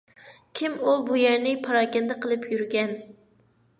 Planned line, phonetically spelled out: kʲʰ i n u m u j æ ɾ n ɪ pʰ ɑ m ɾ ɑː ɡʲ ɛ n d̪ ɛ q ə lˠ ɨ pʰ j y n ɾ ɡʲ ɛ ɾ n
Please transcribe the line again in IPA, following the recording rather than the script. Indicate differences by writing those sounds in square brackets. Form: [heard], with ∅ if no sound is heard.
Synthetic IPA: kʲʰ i [m] u [b] u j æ ɾ n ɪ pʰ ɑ [∅] ɾ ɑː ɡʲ ɛ n d̪ ɛ q ə lˠ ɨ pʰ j y [∅] ɾ ɡʲ ɛ [∅] n

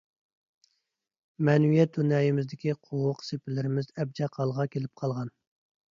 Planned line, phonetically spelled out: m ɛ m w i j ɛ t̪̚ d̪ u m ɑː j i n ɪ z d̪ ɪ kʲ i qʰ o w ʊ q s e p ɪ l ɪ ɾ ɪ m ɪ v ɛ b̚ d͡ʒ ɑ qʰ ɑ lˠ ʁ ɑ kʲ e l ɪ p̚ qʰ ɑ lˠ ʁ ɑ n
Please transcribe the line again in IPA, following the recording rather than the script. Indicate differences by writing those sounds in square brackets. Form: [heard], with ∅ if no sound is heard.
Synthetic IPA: m ɛ [n] w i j ɛ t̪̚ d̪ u [n] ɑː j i [m] ɪ z d̪ ɪ kʲ i qʰ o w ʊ q s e p ɪ l ɪ ɾ ɪ m ɪ [z] ɛ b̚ d͡ʒ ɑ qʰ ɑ lˠ ʁ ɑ kʲ e l ɪ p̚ qʰ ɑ lˠ ʁ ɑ n

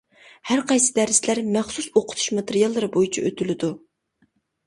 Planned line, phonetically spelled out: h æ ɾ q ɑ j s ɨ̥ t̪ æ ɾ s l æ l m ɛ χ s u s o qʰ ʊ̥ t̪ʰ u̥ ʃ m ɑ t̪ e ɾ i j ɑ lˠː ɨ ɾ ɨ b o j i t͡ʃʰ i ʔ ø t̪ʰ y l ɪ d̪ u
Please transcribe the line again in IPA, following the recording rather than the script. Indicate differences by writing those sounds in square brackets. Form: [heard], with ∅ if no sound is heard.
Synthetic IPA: h æ ɾ q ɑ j s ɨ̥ [d̪] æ ɾ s l æ [ɾ] m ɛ χ s u s o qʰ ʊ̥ t̪ʰ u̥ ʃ m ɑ t̪ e ɾ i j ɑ lˠː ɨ ɾ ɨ b o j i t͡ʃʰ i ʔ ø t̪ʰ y l ɪ d̪ u

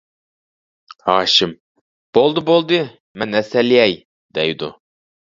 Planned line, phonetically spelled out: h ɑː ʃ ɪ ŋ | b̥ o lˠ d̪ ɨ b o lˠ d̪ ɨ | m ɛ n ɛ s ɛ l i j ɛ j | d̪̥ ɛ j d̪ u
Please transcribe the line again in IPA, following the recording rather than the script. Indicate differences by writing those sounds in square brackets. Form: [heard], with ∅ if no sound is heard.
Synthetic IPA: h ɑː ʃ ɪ [m] | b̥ o lˠ d̪ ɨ b o lˠ d̪ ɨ | m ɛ n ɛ s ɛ l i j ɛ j | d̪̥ ɛ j d̪ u

